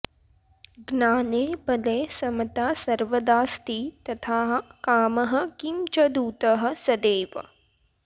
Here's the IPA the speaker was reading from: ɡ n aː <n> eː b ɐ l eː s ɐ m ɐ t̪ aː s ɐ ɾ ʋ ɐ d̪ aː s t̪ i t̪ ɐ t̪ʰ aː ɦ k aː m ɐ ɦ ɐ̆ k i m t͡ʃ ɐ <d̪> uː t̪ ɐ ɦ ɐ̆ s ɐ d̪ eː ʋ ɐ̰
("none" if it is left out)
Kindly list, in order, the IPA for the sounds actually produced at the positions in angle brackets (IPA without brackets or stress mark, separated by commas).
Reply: n, d̪